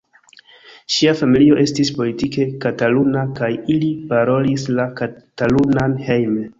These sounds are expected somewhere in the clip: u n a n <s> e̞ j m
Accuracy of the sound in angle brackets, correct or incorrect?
incorrect: h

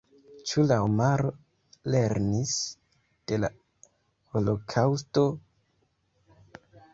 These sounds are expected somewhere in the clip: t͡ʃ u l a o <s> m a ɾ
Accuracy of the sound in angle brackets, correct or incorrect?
incorrect: none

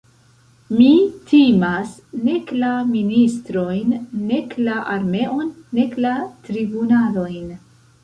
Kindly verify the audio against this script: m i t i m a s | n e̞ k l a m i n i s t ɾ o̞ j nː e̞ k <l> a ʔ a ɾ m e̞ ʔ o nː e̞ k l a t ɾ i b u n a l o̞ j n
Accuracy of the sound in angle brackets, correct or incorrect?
correct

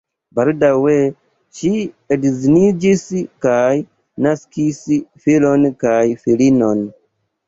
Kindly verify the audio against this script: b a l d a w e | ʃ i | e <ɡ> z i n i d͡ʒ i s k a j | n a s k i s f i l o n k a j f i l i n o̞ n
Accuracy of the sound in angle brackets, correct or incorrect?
incorrect: d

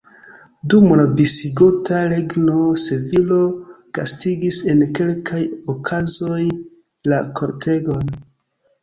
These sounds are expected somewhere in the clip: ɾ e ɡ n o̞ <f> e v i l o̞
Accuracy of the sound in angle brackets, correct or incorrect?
incorrect: s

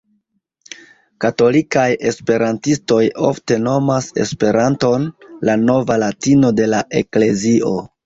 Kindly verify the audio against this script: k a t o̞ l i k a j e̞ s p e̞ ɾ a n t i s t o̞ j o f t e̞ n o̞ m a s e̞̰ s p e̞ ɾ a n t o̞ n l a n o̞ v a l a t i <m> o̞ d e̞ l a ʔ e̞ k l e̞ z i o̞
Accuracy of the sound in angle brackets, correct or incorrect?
incorrect: n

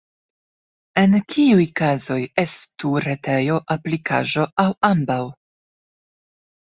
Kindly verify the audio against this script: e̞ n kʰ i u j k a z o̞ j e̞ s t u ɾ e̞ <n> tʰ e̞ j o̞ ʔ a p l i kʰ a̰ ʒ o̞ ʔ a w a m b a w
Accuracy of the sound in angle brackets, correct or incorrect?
incorrect: none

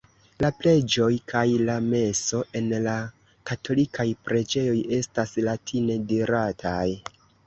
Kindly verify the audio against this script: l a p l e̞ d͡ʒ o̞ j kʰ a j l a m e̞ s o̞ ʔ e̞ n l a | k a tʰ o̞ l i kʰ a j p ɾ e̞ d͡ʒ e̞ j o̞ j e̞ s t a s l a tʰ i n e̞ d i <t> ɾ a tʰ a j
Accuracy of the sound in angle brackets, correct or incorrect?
incorrect: none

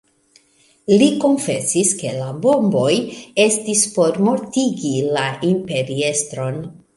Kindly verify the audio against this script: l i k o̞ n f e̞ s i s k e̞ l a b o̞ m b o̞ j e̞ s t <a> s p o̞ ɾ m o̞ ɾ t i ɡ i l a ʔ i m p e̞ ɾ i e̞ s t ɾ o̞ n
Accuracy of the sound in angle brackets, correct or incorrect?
incorrect: i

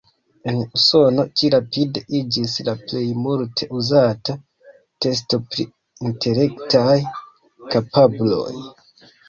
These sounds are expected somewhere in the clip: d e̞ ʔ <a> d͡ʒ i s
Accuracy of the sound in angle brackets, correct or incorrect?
incorrect: i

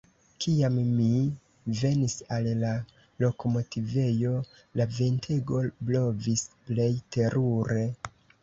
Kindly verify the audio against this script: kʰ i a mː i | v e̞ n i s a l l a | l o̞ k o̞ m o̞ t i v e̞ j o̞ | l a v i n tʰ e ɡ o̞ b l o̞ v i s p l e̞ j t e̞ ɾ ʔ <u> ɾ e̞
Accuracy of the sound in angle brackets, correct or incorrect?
correct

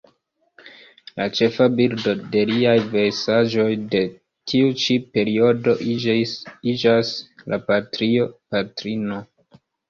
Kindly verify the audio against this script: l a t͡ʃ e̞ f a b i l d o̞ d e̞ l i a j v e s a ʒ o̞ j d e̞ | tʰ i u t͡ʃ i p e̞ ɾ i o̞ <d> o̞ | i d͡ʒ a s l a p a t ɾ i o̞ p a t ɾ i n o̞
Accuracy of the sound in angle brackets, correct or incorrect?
correct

